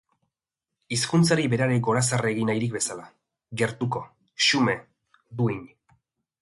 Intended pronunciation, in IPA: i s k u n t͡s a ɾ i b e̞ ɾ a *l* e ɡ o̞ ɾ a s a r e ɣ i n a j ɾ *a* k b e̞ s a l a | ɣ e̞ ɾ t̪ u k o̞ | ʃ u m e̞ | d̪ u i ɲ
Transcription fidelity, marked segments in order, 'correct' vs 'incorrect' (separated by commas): incorrect, incorrect